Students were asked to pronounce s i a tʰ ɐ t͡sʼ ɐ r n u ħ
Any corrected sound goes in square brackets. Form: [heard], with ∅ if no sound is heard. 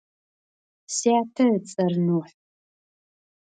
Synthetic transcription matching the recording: s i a tʰ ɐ t͡sʼ ɐ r n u ħ